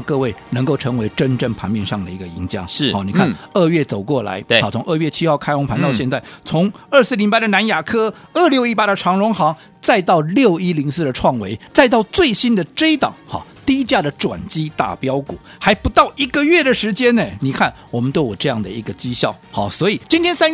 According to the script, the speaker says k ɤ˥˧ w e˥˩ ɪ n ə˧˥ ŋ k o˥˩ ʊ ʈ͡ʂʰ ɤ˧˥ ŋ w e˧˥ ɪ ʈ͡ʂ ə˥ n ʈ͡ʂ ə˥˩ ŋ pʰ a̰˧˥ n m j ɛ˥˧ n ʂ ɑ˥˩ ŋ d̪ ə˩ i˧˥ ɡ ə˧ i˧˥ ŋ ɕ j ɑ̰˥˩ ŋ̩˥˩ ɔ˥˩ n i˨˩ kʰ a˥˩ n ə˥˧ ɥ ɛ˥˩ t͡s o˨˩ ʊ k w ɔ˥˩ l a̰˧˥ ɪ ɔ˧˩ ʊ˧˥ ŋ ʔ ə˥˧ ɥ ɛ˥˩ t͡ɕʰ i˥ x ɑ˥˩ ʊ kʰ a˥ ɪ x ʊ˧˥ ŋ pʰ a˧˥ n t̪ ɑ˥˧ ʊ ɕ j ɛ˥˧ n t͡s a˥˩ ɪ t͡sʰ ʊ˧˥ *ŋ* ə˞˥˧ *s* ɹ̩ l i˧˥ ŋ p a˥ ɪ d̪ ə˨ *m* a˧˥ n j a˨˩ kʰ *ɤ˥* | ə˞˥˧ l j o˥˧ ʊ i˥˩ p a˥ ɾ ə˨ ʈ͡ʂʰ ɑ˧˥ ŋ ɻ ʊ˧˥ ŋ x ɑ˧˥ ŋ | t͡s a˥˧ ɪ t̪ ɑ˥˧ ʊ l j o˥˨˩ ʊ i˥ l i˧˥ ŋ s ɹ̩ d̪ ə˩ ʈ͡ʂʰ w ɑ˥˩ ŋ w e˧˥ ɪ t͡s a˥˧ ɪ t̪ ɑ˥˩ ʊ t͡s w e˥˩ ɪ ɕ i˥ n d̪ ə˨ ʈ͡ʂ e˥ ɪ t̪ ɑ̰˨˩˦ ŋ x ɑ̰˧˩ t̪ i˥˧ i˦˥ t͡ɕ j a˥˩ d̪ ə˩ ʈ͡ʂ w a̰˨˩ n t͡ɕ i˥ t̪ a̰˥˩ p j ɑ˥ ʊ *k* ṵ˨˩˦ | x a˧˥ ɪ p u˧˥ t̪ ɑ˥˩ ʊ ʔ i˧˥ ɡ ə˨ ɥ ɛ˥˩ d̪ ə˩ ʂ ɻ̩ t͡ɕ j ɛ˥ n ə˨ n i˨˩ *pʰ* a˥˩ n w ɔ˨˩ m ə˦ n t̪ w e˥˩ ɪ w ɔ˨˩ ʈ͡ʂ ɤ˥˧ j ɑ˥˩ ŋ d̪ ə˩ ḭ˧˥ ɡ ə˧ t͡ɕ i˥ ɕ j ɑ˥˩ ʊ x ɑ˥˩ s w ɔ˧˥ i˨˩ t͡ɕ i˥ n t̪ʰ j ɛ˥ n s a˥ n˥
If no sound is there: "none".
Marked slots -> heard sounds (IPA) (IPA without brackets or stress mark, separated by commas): ŋ, s, n, ɤ˥, k, kʰ